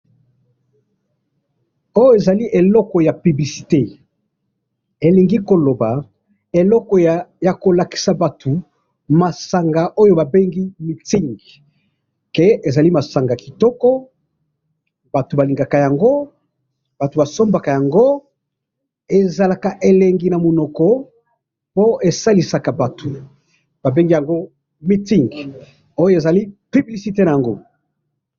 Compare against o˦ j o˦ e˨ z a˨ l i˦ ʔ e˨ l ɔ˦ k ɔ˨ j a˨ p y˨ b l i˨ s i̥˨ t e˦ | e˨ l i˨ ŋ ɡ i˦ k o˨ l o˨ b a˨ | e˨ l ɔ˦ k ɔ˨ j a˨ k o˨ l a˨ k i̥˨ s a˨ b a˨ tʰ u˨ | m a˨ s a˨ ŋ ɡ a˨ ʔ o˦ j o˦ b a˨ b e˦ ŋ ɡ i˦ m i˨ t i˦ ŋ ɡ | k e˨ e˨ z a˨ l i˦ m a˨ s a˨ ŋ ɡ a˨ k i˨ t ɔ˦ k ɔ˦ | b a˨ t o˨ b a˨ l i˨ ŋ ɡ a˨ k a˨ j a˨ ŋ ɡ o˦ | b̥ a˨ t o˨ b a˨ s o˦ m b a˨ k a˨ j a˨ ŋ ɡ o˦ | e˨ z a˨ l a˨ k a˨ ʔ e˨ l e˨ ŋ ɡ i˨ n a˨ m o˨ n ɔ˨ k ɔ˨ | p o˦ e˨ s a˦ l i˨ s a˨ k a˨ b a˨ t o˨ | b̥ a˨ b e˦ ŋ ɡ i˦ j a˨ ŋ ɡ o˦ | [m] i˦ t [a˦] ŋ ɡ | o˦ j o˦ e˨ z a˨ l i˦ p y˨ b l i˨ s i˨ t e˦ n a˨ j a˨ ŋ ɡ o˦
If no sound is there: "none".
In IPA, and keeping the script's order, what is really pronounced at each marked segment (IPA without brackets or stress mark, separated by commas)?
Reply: m, i˦